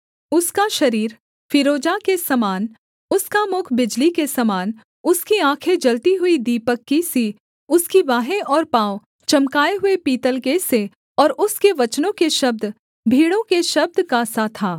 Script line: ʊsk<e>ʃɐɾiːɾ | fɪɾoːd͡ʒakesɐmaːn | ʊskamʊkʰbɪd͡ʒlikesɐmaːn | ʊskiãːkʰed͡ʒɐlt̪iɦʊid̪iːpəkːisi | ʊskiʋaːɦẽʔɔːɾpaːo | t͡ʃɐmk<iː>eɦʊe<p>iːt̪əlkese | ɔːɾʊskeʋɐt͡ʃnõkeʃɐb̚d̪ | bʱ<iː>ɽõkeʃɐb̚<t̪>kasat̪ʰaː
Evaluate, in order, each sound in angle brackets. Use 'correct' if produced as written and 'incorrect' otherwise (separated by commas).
incorrect, incorrect, correct, correct, incorrect